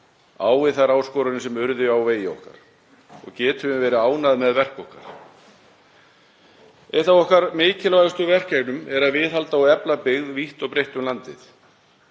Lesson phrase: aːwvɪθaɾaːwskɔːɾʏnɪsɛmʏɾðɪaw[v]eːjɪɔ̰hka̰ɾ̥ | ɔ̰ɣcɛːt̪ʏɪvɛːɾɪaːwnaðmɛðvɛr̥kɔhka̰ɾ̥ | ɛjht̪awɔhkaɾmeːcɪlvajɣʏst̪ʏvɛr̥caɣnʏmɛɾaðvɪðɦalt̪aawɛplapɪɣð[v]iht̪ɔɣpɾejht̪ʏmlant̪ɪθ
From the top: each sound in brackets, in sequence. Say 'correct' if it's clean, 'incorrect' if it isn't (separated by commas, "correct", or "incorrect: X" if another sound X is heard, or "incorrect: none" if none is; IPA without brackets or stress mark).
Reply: correct, correct